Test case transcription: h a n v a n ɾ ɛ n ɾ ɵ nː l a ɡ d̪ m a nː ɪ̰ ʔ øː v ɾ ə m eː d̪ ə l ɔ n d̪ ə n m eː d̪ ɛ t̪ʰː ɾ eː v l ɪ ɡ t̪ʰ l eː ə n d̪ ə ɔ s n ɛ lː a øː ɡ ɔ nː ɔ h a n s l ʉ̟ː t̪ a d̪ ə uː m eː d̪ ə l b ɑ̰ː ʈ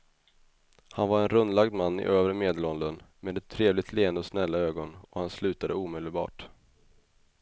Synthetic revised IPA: h a n v a ɾ ɛ n ɾ ɵ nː l a ɡ d̪ m a nː ɪ̰ ʔ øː v ɾ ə m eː d̪ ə l ɔ n d̪ ə n m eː d̪ ɛ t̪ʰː ɾ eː v l ɪ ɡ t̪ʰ l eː ə n d̪ ə ɔ s n ɛ lː a øː ɡ ɔ n ɔ h a n s l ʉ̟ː t̪ a d̪ ə uː m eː d̪ ə l b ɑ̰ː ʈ